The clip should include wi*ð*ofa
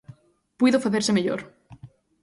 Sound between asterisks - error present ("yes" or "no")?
no